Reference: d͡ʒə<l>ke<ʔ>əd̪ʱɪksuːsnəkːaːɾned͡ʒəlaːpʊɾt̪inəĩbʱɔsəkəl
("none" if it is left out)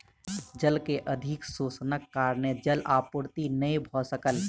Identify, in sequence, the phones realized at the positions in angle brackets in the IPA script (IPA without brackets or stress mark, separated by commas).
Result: l, ʔ